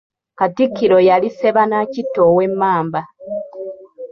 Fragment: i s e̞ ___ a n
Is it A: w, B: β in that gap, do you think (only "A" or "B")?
B